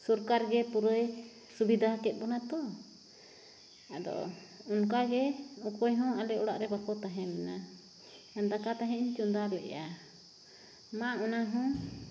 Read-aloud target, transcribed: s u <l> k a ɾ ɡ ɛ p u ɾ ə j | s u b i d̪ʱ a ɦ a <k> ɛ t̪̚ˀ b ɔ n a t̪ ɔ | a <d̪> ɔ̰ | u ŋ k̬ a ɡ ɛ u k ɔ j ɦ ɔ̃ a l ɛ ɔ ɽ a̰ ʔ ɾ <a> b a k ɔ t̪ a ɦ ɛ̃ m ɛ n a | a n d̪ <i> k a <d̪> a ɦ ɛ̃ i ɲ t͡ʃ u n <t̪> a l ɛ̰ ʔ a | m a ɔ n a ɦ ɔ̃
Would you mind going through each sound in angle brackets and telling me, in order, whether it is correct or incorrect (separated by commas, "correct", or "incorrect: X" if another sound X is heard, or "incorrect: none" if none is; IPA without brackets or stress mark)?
incorrect: ɾ, correct, correct, incorrect: ɛ, incorrect: a, incorrect: t̪, incorrect: d̪